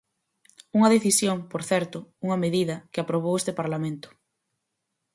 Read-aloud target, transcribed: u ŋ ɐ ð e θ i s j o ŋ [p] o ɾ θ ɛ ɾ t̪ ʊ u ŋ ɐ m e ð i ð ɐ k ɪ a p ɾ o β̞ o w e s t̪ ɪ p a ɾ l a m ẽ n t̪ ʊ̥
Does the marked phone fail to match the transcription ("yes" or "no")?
no